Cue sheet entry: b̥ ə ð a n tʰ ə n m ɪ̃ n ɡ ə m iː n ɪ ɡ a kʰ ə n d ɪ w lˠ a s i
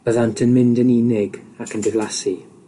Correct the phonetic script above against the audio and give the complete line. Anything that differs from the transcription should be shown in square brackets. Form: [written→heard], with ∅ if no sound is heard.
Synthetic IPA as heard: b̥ ə ð a n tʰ ə n m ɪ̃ n [ɡ→d] ə [m→n] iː n ɪ ɡ a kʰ ə n d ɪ [w→v] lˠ a s i